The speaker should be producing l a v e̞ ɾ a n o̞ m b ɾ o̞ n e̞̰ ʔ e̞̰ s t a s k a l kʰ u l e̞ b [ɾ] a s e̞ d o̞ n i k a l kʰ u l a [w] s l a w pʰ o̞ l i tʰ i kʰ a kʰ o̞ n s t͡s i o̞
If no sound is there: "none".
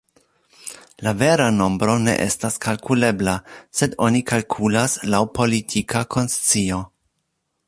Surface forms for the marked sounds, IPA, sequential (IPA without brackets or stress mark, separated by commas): l, none